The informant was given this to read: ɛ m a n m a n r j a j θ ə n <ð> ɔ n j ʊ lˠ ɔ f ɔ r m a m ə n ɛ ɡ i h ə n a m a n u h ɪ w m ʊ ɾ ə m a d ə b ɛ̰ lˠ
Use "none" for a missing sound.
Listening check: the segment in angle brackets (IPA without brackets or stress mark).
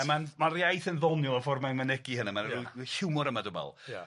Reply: ð